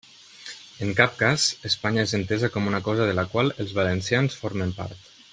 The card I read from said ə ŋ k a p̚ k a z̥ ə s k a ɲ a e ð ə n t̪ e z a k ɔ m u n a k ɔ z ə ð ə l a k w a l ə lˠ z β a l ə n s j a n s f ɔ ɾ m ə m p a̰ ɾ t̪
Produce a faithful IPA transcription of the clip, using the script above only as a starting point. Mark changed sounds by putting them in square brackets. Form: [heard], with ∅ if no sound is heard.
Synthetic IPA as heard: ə ŋ k a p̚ k a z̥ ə s [p] a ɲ a e [z] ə n t̪ e z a k ɔ m u n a k ɔ z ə ð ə l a k w a l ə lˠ z β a l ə n s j a n s f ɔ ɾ m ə m p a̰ ɾ t̪